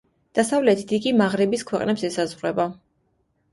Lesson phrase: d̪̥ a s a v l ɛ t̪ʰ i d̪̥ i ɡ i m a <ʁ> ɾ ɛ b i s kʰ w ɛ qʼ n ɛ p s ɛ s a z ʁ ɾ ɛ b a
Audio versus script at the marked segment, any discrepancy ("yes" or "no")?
no